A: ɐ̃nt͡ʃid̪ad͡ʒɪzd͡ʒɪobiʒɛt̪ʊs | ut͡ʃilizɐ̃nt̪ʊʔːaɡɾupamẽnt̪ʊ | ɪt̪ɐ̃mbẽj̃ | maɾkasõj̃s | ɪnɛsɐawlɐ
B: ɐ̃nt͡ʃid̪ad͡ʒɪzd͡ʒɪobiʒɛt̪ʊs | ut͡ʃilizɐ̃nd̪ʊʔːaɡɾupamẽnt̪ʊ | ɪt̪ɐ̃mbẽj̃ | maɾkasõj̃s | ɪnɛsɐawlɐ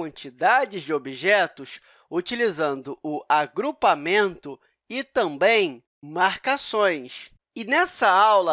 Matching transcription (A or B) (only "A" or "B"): B